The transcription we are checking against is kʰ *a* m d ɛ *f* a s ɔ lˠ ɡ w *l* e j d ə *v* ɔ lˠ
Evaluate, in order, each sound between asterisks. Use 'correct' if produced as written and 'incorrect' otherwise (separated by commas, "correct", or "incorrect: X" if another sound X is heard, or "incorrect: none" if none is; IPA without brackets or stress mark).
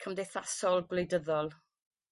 incorrect: ə, incorrect: θ, correct, incorrect: ð